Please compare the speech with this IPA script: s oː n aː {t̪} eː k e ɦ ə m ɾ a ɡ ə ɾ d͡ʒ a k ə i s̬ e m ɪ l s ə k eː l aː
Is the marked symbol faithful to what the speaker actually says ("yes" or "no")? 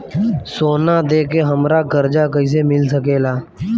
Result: no